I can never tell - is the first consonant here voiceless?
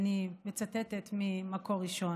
no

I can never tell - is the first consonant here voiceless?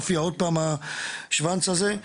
yes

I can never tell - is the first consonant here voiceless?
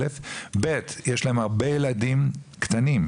yes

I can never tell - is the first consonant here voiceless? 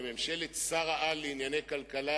no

